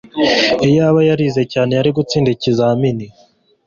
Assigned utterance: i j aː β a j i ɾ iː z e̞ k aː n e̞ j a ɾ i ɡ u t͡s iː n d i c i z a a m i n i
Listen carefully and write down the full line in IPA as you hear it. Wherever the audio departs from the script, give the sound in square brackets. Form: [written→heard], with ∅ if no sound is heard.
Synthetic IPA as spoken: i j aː β a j [i→a] ɾ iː z e̞ [k→c] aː n e̞ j a ɾ i ɡ u t͡s iː n d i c i z a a m i n i